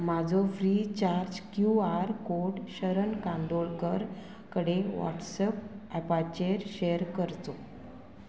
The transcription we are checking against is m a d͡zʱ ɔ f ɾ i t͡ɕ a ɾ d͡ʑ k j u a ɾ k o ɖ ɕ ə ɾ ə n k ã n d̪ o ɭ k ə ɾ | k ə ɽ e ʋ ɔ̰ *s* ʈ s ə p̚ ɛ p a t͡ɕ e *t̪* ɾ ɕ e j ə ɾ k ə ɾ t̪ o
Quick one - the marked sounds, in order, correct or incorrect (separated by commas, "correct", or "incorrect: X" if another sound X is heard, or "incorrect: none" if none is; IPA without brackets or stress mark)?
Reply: incorrect: none, incorrect: none